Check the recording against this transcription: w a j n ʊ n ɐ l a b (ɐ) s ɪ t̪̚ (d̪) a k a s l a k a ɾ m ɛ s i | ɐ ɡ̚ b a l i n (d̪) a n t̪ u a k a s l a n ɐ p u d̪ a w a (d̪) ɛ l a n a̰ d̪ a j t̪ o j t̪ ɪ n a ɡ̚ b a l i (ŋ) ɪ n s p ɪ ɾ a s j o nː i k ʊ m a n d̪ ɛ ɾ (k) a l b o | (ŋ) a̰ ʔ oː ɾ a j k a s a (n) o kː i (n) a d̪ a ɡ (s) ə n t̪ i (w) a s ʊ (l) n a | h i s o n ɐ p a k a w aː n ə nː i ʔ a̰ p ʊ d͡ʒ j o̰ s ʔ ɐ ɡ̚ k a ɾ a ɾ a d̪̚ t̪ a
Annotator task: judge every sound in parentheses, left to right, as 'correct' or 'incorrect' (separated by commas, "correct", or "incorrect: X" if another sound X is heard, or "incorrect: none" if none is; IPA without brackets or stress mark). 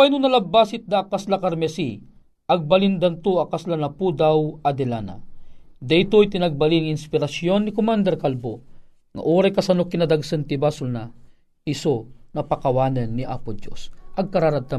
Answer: incorrect: a, correct, correct, correct, correct, correct, correct, correct, correct, correct, incorrect: b, correct